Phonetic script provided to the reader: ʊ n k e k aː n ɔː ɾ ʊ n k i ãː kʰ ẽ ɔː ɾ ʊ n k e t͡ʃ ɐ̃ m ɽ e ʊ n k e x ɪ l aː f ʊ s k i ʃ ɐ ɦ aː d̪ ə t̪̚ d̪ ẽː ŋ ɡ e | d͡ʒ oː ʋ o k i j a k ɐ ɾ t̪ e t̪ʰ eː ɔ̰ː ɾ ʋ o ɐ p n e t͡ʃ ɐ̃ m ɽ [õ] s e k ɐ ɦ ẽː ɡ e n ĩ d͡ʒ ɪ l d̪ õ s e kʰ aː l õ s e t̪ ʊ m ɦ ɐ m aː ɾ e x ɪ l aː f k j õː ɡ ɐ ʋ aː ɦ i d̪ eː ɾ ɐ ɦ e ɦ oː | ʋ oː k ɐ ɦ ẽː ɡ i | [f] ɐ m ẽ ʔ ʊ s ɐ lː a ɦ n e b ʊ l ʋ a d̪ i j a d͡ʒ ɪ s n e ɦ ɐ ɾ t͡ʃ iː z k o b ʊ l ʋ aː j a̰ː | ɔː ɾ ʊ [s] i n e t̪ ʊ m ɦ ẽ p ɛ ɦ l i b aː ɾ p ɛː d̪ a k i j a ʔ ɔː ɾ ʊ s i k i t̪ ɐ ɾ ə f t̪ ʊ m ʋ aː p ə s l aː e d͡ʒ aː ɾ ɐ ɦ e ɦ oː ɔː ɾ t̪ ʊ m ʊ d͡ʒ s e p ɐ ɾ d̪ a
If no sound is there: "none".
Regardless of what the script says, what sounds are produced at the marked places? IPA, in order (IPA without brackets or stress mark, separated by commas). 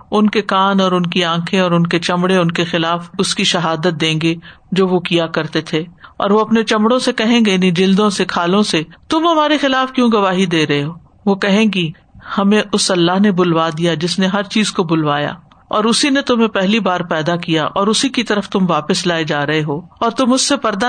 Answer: õ, h, s